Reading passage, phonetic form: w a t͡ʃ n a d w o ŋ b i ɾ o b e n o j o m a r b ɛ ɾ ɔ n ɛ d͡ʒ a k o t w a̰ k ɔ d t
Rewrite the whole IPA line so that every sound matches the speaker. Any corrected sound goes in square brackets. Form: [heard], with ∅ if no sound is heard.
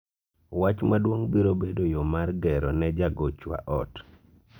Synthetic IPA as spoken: w a t͡ʃ [m] a d w o ŋ b i ɾ o b e [d] o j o m a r [ɡ] ɛ ɾ ɔ n ɛ d͡ʒ a [ɡ] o [t͡ʃ] w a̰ [ʔ] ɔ [∅] t